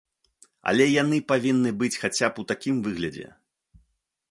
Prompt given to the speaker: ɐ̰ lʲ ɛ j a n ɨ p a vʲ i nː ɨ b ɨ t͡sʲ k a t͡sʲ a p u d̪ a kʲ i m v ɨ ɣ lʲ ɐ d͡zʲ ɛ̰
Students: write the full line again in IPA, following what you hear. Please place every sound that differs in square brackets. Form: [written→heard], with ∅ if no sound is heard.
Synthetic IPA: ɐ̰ lʲ ɛ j a n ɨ p a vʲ i nː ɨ b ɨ t͡sʲ [k→x] a t͡sʲ a p u [d̪→t̪] a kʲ i m v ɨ ɣ lʲ ɐ d͡zʲ ɛ̰